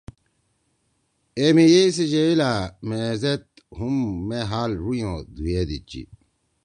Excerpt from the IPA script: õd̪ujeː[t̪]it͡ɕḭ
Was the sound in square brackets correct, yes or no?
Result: no